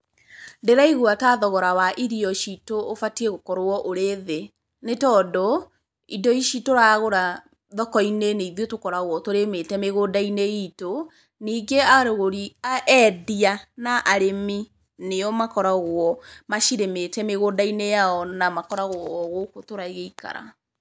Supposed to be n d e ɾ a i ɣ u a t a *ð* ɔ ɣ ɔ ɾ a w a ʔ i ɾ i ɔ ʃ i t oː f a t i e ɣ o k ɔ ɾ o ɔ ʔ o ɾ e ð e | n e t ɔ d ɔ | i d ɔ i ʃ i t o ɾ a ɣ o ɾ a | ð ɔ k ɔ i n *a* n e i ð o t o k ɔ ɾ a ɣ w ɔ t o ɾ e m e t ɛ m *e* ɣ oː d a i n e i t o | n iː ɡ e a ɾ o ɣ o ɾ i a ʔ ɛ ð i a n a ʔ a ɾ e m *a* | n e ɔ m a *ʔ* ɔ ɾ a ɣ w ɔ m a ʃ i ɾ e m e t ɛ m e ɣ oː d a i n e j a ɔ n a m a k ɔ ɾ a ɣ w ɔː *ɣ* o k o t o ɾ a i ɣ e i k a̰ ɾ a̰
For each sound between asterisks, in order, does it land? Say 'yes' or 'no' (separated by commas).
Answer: yes, no, yes, no, no, yes